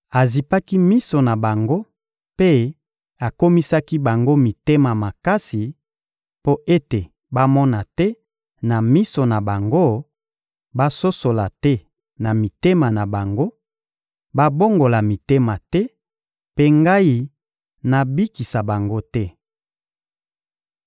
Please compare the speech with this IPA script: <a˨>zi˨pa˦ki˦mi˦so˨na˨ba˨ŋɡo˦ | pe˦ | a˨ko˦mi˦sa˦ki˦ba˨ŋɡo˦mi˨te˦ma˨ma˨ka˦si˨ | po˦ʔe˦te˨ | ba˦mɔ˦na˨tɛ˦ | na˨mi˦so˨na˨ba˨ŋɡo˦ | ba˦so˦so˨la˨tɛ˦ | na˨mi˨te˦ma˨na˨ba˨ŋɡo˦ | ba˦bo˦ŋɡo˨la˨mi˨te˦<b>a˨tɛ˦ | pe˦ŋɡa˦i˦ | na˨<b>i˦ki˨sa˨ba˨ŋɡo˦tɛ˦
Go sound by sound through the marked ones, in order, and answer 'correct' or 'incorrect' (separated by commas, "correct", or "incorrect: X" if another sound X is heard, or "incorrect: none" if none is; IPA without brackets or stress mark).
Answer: correct, incorrect: m, correct